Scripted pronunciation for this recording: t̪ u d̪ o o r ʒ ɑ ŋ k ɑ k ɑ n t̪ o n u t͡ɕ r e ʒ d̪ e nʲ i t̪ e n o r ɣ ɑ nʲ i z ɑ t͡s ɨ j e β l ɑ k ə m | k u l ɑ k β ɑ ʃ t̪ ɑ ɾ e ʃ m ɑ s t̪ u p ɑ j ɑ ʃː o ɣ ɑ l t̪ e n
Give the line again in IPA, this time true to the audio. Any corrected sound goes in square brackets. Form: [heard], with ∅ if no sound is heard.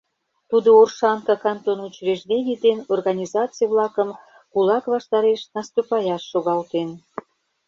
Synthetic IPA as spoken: t̪ u d̪ o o r [ʃ] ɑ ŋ k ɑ k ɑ n t̪ o n u t͡ɕ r e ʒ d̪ e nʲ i [d̪] e n o r ɣ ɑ nʲ i z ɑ t͡s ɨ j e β l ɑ k ə m | k u l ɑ k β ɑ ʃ t̪ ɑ ɾ e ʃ [n] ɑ s t̪ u p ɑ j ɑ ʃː o ɣ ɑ l t̪ e n